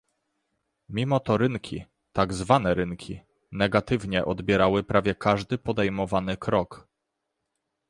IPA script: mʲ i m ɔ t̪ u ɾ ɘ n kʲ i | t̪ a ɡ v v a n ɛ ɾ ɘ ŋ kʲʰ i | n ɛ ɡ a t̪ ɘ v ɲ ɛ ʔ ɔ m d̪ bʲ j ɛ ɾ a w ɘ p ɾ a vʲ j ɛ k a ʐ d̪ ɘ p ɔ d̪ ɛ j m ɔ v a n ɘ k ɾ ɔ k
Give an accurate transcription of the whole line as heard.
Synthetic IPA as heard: mʲ i m ɔ t̪ ɔ ɾ ɘ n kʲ i | t̪ a ɡ z v a n ɛ ɾ ɘ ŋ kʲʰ i | n ɛ ɡ a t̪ ɘ v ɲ ɛ ʔ ɔ d̪ bʲ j ɛ ɾ a w ɘ p ɾ a vʲ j ɛ k a ʐ d̪ ɘ p ɔ d̪ ɛ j m ɔ v a n ɘ k ɾ ɔ k